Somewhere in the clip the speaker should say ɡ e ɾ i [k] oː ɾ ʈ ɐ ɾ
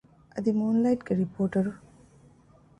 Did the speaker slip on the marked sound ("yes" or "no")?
yes